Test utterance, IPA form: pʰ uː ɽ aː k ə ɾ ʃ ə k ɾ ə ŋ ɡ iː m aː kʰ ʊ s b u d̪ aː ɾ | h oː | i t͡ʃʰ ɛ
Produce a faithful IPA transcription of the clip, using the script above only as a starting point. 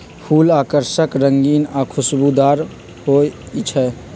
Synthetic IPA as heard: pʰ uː l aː k ə ɾ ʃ ə k ɾ ə ŋ ɡ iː n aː kʰ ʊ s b u d̪ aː ɾ | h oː | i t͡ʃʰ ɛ